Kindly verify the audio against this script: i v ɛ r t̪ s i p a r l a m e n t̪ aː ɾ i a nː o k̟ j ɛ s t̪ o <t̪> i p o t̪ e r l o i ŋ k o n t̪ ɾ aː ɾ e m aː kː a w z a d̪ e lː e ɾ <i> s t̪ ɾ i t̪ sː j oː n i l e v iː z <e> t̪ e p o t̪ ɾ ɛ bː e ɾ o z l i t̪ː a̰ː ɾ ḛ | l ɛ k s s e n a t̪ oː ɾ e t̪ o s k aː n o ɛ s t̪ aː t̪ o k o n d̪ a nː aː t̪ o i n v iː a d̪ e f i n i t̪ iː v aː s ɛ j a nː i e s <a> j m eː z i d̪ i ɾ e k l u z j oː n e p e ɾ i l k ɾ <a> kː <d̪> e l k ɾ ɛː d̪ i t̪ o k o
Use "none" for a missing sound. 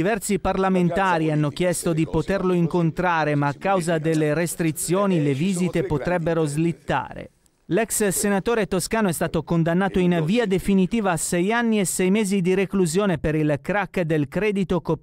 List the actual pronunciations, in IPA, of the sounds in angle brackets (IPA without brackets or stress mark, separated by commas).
d̪, e, i, ɛ, a, d̪